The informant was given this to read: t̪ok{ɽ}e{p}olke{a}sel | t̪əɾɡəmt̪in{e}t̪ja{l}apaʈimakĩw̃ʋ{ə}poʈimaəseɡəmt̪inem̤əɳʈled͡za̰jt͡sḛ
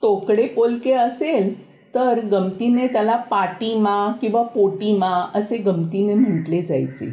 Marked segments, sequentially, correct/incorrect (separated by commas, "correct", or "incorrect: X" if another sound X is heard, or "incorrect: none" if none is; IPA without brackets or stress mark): correct, correct, incorrect: ə, correct, correct, incorrect: a